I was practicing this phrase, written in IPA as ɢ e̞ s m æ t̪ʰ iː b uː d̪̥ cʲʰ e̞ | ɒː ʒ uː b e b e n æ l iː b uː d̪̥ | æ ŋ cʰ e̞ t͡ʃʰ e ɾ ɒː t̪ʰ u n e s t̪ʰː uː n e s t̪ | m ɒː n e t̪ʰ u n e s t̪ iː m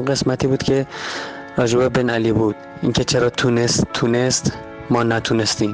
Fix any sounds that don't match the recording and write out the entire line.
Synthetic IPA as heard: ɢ e̞ s m æ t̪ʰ iː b uː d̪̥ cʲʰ e̞ | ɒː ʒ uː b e b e n æ l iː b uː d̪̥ | i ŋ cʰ e̞ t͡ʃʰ e ɾ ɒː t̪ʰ u n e s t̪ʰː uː n e s t̪ | m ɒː n æ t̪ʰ u n e s t̪ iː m